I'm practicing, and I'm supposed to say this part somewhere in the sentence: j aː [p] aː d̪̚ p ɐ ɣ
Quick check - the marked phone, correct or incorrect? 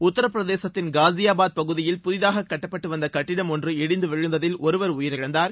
incorrect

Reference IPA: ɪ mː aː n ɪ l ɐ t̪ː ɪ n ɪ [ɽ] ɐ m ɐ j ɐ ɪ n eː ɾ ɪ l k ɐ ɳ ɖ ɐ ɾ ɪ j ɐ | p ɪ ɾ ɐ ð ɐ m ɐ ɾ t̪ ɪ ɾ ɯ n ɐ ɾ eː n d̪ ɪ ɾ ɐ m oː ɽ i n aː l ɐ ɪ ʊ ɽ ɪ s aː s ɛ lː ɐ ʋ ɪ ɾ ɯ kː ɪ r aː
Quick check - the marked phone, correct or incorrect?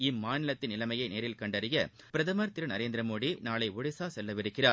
incorrect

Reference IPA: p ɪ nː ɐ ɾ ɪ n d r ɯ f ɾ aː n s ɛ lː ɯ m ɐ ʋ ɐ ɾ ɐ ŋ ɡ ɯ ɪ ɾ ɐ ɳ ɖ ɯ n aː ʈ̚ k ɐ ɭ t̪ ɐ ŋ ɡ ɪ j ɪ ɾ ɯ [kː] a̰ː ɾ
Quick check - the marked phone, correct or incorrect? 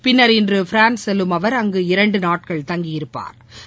incorrect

